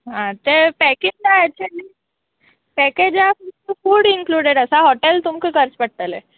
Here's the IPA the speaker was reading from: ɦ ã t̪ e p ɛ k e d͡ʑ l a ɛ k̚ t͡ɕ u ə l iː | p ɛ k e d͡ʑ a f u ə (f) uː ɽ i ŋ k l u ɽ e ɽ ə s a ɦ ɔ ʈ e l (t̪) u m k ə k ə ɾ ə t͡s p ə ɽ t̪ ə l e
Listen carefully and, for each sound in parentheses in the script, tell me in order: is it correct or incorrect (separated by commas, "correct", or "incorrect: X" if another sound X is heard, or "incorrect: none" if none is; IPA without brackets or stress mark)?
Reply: correct, correct